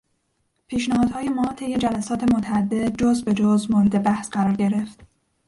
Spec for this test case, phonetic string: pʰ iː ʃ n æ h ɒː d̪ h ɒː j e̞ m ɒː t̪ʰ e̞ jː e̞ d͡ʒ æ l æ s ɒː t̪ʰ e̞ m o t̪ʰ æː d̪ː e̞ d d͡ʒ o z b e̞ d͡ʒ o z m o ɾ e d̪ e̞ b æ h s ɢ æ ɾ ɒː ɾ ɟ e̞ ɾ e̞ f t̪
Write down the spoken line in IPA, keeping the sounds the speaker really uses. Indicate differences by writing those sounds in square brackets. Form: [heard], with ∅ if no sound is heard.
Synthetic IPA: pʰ iː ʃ n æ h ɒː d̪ h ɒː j e̞ m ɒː t̪ʰ e̞ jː e̞ d͡ʒ æ l æ s ɒː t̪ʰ e̞ m o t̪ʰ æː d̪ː e̞ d d͡ʒ o z b e̞ d͡ʒ o z m o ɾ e d̪ e̞ b æ h s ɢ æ ɾ ɒː ɾ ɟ e̞ ɾ e̞ f t̪